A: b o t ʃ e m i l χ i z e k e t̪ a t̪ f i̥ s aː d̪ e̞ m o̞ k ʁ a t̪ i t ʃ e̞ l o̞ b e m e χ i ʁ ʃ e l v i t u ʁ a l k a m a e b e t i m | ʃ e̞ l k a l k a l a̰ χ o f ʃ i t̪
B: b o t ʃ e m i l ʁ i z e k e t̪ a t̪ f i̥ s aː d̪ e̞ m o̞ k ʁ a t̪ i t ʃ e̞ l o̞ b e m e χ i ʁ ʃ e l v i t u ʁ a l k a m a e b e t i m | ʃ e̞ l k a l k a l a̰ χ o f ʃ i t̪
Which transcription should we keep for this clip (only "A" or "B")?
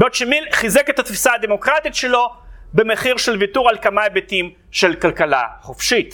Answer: A